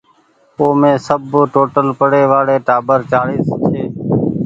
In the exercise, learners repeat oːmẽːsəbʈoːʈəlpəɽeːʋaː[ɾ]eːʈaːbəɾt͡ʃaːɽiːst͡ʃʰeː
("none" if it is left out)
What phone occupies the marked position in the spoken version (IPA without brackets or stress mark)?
ɽ